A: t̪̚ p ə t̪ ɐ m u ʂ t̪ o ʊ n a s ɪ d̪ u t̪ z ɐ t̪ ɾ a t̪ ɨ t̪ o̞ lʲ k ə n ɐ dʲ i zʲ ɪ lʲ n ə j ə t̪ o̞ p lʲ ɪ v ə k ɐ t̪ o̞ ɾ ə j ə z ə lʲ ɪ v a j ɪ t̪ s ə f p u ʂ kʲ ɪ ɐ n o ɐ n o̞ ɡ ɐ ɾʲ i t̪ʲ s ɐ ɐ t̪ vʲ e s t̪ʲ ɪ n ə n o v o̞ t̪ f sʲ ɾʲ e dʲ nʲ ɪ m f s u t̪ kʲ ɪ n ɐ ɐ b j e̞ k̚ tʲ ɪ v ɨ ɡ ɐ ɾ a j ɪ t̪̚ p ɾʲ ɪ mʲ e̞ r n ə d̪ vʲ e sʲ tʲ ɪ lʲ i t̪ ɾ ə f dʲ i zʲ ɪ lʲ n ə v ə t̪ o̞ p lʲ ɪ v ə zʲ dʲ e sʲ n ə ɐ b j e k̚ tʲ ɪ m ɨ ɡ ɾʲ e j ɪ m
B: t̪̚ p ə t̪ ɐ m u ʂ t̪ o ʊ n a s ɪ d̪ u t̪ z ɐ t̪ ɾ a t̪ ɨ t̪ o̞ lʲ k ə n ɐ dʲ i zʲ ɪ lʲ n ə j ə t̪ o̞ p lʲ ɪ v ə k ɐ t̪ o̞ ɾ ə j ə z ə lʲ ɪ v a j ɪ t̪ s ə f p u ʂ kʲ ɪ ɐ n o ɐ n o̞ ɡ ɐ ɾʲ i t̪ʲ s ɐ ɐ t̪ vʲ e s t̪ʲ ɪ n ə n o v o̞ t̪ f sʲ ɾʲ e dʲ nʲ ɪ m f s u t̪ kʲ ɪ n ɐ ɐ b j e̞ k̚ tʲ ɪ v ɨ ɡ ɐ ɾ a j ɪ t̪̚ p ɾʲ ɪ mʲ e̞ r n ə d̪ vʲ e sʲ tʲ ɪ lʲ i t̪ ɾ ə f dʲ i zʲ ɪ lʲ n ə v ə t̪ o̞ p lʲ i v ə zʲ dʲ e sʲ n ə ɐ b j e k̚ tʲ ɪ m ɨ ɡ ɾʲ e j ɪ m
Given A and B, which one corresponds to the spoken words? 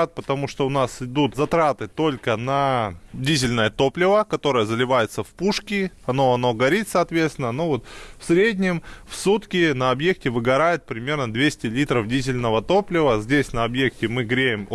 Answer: A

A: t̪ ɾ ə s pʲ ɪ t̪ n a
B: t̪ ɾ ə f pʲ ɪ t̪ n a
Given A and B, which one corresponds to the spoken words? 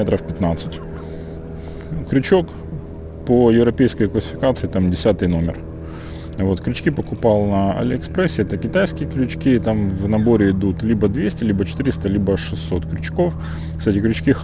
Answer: B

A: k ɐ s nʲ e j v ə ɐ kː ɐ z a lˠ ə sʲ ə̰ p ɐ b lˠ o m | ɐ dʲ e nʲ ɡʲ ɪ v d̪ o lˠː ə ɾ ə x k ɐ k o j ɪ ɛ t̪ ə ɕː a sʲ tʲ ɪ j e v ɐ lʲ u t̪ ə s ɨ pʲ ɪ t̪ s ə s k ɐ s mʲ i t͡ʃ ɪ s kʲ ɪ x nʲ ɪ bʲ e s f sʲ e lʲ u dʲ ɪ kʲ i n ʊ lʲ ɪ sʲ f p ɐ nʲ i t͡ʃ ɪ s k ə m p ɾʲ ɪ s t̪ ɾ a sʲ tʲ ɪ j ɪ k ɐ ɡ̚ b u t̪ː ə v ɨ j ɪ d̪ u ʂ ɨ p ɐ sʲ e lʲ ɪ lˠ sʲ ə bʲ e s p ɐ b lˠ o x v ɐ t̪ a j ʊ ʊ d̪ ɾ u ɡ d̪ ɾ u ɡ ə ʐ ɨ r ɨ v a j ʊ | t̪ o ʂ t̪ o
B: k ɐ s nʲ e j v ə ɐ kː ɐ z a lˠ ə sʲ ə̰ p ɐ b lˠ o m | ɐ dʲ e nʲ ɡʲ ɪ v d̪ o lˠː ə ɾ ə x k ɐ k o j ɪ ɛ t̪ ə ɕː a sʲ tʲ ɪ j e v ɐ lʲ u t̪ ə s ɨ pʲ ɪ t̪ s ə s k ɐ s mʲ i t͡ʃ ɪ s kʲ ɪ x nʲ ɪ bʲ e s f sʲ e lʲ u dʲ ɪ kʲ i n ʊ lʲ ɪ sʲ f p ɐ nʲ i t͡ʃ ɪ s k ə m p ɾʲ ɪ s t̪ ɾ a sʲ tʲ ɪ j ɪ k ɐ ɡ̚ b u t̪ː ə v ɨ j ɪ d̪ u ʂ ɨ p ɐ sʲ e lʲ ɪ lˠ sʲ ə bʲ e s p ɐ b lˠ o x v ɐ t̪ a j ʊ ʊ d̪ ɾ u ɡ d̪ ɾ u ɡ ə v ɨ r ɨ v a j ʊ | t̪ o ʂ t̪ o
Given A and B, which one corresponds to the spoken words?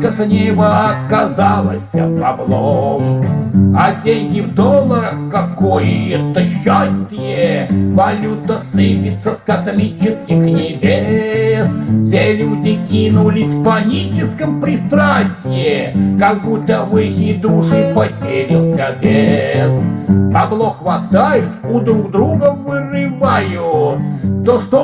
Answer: B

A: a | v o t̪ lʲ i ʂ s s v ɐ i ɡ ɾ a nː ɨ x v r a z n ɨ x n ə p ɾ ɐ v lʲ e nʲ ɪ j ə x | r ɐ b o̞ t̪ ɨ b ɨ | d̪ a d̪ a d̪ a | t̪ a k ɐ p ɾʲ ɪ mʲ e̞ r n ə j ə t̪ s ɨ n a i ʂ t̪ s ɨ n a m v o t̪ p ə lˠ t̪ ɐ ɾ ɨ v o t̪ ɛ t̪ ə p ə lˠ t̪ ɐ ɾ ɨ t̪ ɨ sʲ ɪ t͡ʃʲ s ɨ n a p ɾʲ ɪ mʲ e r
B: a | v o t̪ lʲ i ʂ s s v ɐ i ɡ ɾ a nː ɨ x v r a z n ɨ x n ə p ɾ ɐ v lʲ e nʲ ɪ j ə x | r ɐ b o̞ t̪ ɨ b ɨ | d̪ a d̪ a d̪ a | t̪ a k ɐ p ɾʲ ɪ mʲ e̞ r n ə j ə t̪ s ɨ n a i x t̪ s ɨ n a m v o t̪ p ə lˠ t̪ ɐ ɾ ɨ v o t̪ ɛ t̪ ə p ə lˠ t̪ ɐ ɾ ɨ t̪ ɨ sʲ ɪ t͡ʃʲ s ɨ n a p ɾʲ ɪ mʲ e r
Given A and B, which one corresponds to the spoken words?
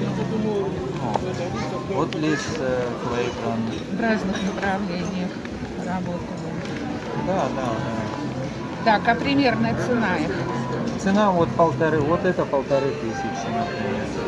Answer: B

